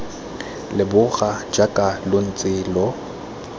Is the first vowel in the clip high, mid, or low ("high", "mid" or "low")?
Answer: high